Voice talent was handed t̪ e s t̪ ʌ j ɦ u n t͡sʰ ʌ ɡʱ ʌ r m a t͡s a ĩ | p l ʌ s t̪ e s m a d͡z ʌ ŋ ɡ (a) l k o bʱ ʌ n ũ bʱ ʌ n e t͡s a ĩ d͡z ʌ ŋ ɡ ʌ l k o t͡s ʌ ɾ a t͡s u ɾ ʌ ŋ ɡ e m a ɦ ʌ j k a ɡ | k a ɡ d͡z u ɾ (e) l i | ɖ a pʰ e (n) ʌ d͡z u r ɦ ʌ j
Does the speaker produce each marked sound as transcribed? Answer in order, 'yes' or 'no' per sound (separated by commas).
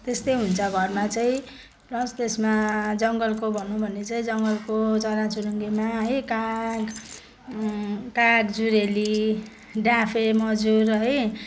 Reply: no, yes, no